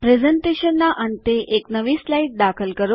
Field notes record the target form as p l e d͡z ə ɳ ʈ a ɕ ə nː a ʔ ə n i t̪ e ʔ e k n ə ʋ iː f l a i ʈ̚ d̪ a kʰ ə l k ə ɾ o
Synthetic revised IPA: p ɾ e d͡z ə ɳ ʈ e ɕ ə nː a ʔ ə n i t̪ e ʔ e k n ə ʋ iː s l a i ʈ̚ d̪ a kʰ ə l k ə ɾ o